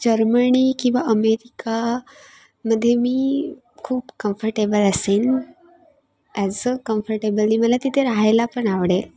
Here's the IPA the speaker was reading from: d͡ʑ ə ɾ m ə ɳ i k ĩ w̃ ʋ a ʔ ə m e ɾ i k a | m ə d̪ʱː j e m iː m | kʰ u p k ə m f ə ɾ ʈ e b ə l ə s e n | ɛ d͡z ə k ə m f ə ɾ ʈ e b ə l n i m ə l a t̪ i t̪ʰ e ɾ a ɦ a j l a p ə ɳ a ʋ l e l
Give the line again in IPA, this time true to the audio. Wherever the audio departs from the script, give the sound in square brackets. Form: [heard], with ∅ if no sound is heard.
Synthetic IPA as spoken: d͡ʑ ə ɾ m ə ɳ i k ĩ w̃ ʋ a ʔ ə m e ɾ i k a | m ə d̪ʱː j e m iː [∅] | kʰ [uː] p k ə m f ə ɾ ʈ e b ə l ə s e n | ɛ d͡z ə k ə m f ə ɾ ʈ e b ə l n i m ə l a t̪ i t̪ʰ e ɾ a ɦ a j l a p ə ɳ a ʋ [ɽ] e l